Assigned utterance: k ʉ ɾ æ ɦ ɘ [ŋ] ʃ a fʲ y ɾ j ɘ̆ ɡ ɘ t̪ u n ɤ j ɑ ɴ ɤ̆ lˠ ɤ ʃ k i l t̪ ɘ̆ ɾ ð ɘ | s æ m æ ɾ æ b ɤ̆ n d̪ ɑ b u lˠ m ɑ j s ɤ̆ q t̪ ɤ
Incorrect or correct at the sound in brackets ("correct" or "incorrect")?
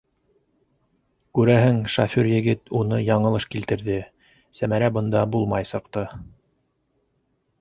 correct